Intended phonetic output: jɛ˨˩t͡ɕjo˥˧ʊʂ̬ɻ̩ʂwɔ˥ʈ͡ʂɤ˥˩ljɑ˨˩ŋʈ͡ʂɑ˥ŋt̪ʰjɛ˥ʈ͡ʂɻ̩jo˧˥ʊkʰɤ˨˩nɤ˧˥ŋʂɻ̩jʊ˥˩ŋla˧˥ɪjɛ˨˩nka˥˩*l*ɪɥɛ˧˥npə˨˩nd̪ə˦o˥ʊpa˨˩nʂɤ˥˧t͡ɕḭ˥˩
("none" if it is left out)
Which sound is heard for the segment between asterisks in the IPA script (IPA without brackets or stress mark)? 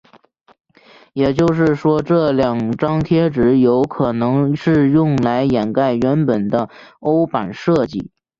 none